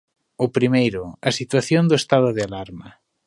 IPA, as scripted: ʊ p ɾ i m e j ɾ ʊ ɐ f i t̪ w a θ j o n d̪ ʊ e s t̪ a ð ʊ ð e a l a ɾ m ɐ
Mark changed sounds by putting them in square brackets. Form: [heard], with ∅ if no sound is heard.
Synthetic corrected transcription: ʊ p ɾ i m e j ɾ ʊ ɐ [s] i t̪ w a θ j o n d̪ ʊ e s t̪ a ð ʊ ð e a l a ɾ m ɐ